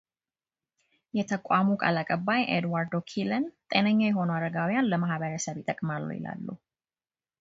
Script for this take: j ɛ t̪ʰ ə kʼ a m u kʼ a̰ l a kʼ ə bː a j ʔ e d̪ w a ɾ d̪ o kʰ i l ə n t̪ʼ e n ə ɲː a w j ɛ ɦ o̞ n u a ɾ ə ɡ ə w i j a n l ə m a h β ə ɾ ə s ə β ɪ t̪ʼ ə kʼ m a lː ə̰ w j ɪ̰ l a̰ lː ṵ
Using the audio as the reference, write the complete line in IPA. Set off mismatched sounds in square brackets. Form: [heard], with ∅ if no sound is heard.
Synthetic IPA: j ɛ t̪ʰ ə kʼ a m u kʼ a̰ l a kʼ ə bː a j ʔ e d̪ w a ɾ d̪ o kʰ i l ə n t̪ʼ e n ə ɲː a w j ɛ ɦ o̞ n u a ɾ ə ɡ [a] w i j a n l ə m a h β ə ɾ ə s ə β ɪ t̪ʼ ə kʼ m a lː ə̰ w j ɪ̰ l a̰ lː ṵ